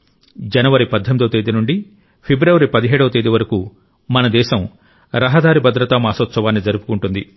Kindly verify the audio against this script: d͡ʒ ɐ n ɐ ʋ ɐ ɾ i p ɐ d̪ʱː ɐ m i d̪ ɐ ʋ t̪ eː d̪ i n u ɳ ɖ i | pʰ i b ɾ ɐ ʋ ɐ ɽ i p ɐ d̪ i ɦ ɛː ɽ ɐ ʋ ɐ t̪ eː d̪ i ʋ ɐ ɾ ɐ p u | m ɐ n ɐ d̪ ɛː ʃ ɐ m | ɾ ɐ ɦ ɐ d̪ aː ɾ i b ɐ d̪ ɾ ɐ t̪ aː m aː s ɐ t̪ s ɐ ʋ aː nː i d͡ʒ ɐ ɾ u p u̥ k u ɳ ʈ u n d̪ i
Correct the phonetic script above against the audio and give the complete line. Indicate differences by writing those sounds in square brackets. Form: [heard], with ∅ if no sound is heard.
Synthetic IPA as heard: d͡ʒ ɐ n ɐ ʋ ɐ ɾ i p ɐ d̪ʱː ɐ m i d̪ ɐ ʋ t̪ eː d̪ i n u ɳ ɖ i | pʰ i b ɾ ɐ ʋ ɐ [ɾ] i p ɐ d̪ i ɦ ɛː ɽ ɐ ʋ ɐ t̪ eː d̪ i ʋ ɐ ɾ ɐ [k] u | m ɐ n ɐ d̪ ɛː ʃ ɐ m | ɾ ɐ ɦ ɐ d̪ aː ɾ i b ɐ d̪ ɾ ɐ t̪ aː m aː s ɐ t̪ s ɐ ʋ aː nː i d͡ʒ ɐ ɾ u p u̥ k u ɳ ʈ u n d̪ i